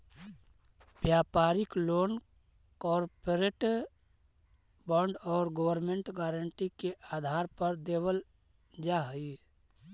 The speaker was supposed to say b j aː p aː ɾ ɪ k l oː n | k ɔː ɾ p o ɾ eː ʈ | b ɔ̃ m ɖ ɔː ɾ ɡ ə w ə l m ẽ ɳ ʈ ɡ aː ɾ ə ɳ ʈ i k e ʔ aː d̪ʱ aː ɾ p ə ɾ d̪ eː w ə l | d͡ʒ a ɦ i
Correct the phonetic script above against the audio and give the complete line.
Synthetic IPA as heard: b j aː p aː ɾ ɪ k l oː n | k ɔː ɾ p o ɾ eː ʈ | b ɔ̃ ɳ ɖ ɔː ɾ ɡ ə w ə ɾ m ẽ ɳ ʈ ɡ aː ɾ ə ɳ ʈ i k e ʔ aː d̪ʱ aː ɾ p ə ɾ d̪ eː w ə l | d͡ʒ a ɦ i